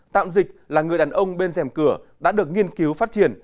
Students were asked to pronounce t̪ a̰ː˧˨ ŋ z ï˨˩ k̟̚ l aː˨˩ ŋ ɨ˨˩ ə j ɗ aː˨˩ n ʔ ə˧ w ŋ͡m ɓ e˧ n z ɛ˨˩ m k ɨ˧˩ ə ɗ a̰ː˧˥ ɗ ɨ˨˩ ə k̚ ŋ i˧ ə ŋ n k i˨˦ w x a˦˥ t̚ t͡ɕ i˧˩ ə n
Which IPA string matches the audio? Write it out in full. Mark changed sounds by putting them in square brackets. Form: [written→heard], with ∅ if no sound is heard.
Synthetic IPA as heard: t̪ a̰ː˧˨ [ŋ→m] z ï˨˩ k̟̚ l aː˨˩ ŋ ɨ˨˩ ə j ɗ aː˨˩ n ʔ ə˧ w ŋ͡m ɓ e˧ n z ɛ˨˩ m k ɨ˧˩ ə ɗ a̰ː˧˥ ɗ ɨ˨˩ ə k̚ ŋ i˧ ə [ŋ→∅] n k i˨˦ w [x→f] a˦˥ t̚ t͡ɕ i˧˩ ə n